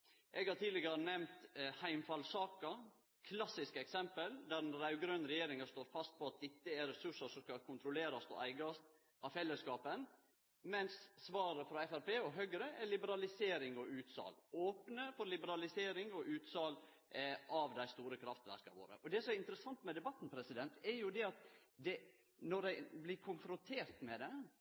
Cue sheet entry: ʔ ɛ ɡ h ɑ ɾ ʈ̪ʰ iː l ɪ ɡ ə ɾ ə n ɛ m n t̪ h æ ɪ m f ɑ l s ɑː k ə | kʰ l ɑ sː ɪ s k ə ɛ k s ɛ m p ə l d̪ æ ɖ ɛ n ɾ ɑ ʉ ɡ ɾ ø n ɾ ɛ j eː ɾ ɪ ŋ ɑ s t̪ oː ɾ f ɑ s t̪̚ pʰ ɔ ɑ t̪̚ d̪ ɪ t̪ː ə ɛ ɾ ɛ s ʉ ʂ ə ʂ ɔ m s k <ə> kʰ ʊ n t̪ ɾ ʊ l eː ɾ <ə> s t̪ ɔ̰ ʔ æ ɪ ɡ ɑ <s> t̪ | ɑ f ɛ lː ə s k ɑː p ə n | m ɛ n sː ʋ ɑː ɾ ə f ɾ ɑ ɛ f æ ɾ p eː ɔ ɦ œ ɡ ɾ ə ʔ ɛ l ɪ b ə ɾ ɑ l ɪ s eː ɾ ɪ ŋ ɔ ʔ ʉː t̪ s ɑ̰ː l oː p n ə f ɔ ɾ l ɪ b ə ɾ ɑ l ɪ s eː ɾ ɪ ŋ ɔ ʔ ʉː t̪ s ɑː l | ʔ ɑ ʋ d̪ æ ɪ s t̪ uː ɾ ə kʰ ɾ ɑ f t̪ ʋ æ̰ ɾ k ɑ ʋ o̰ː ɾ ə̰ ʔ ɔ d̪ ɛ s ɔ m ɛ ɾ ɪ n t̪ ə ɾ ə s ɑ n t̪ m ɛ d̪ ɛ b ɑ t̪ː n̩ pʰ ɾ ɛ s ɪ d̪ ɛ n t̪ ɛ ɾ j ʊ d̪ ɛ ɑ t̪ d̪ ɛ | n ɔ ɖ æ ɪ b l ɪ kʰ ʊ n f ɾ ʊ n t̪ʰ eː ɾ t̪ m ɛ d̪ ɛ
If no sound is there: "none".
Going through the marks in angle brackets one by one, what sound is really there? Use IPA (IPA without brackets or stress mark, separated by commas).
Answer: ɑ, ɑ, s